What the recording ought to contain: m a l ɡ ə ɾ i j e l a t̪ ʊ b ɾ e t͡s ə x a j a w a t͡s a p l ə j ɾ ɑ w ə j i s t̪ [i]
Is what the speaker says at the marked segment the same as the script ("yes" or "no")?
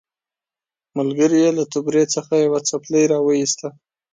no